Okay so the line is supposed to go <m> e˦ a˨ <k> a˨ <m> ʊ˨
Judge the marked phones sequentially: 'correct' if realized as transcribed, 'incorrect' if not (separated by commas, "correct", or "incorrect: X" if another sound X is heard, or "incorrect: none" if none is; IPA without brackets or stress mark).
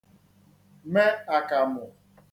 correct, correct, correct